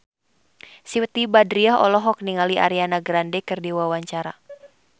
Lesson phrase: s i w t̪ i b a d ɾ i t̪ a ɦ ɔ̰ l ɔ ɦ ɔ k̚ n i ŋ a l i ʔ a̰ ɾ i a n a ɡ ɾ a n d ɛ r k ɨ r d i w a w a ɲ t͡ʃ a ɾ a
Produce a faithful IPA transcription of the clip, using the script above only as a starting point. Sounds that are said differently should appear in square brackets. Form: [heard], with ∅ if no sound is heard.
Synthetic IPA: s i w t̪ i b a d ɾ i [∅] a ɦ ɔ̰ l ɔ ɦ ɔ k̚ n i ŋ a l i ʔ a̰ ɾ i a n a ɡ ɾ a n d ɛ [∅] k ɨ r d i w a w a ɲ t͡ʃ a ɾ a

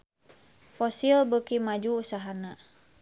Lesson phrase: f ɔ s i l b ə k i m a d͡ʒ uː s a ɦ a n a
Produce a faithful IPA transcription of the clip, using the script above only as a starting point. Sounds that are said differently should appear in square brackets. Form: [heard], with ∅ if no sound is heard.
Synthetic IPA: f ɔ s i l b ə k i m a d͡ʒ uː s a ɦ a n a

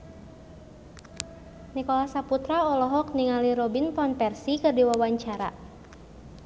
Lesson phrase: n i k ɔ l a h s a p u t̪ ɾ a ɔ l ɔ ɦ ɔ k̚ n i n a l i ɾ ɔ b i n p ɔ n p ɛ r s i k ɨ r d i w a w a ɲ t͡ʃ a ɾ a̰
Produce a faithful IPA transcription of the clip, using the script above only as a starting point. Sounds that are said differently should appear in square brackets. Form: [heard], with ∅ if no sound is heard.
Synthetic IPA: n i k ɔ l a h s a p u t̪ ɾ a ɔ l ɔ ɦ ɔ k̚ n i [ŋ] a l i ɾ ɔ b i n p ɔ n p ɛ r s i k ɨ r d i w a w a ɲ t͡ʃ a ɾ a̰

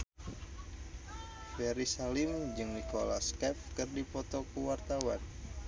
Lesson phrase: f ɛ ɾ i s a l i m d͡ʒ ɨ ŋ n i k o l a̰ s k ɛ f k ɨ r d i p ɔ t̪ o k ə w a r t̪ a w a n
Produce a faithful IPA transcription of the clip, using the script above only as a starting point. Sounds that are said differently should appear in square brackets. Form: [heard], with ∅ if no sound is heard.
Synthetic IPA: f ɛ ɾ i s a l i m d͡ʒ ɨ ŋ n i k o l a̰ s k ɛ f k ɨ r d i p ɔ t̪ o k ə w a r t̪ a w a n

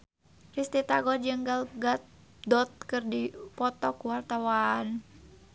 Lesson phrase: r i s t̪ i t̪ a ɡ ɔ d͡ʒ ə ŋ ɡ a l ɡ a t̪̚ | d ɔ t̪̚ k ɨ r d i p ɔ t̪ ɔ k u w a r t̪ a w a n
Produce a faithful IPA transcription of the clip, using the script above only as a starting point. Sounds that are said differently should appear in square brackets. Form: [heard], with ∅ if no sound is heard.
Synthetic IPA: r i s t̪ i t̪ a ɡ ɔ d͡ʒ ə ŋ ɡ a l ɡ a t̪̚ | d ɔ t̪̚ k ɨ r d i p ɔ t̪ ɔ k u w a r t̪ a w a n

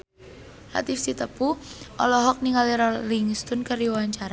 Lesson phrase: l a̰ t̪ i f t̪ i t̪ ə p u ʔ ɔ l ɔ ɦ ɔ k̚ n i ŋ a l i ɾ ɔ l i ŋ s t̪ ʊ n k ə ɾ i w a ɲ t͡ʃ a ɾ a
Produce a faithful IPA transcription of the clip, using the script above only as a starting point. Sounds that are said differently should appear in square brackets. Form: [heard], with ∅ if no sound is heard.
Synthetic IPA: l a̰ t̪ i f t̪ i t̪ ə p u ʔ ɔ l ɔ ɦ ɔ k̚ n i ŋ a l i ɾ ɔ l i ŋ s t̪ ʊ n k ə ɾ i w a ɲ t͡ʃ a ɾ a

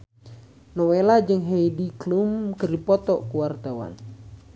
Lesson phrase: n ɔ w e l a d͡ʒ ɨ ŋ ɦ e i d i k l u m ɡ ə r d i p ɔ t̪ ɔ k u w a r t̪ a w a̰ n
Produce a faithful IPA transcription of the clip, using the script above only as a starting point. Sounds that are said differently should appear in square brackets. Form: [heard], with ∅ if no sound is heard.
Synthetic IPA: n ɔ w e l a d͡ʒ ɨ ŋ ɦ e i d i k l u m [k] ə r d i p ɔ t̪ ɔ k u w a r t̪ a w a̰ n

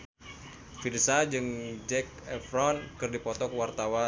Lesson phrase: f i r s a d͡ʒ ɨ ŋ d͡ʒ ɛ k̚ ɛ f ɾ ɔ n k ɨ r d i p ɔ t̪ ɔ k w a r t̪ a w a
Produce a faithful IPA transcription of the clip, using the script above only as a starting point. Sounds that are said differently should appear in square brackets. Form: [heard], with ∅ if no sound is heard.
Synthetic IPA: f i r s a d͡ʒ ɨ ŋ d͡ʒ ɛ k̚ ɛ f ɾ ɔ n k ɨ r d i p ɔ t̪ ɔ k w a r t̪ a w a

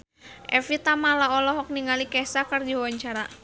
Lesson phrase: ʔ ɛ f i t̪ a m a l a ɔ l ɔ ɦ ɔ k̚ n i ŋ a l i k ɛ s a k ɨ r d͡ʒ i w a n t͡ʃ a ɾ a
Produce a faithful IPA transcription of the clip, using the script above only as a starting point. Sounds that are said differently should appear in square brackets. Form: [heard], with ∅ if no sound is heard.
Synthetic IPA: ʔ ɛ f i t̪ a m a l a ɔ l ɔ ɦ ɔ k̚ n i ŋ a l i k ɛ s a k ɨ r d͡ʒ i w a [ɲ] t͡ʃ a ɾ a

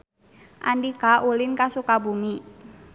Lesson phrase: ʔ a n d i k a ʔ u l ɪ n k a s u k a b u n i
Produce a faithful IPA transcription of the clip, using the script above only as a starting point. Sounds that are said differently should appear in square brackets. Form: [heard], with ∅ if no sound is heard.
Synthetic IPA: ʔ a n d i k a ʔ u l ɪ n k a s u k a b u [m] i

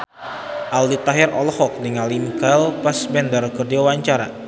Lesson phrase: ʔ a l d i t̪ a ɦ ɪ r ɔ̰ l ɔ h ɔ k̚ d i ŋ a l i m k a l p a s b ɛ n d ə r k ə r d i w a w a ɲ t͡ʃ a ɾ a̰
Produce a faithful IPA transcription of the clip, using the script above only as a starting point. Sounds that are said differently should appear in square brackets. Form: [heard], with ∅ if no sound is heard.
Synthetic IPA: ʔ a l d i t̪ a ɦ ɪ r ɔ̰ l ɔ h ɔ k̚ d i ŋ a l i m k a l p a s b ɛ n d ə r k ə r d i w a w a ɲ t͡ʃ a ɾ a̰

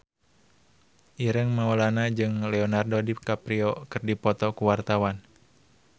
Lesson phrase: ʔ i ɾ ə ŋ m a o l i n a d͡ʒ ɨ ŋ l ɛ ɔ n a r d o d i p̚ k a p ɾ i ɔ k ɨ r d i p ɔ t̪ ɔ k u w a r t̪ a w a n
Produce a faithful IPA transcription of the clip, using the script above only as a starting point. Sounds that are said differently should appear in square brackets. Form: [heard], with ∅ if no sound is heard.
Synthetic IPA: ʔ i ɾ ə ŋ m a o l [a] n a d͡ʒ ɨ ŋ l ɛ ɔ n a r d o d i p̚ k a p ɾ i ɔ k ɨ r d i p ɔ t̪ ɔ k u w a r t̪ a w a n

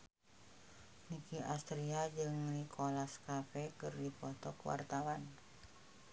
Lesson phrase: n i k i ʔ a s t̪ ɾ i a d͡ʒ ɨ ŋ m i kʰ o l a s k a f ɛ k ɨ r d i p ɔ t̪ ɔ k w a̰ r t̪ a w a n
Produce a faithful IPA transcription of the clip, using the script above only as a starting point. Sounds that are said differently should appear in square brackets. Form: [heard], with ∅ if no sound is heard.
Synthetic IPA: n i k i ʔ a s t̪ ɾ i a d͡ʒ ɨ ŋ [n] i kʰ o l a s k a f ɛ k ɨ r d i p ɔ t̪ ɔ k w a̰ r t̪ a w a n

